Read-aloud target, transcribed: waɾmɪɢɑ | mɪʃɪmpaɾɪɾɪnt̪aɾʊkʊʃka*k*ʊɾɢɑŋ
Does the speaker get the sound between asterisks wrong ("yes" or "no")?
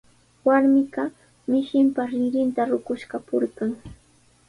yes